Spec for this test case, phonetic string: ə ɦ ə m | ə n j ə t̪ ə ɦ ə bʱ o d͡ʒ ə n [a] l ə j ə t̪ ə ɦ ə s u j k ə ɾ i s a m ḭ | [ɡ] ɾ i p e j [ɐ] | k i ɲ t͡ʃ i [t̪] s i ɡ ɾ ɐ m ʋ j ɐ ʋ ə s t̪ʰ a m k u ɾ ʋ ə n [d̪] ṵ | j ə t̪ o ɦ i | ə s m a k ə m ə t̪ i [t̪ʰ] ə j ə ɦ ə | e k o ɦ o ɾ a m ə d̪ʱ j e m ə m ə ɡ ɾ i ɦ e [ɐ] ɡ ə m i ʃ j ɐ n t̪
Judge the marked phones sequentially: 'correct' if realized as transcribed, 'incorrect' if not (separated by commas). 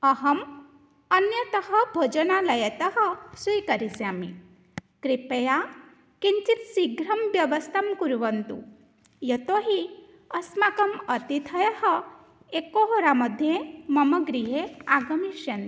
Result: correct, incorrect, incorrect, correct, incorrect, correct, incorrect